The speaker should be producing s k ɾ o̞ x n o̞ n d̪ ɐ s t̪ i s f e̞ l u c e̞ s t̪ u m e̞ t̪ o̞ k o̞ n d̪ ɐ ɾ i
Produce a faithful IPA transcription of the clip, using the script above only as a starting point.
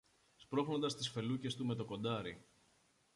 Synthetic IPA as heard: s p ɾ o̞ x n o̞ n d̪ ɐ s t̪ i s f e̞ l u c e̞ s t̪ u m e̞ t̪ o̞ k o̞ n d̪ ɐ ɾ i